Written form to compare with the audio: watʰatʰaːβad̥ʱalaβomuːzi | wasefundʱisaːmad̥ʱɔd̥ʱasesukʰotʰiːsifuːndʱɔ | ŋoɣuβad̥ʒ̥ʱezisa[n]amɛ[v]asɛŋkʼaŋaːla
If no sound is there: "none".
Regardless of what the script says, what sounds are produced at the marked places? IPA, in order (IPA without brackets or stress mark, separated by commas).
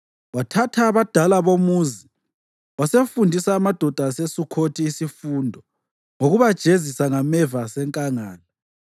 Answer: ŋ, v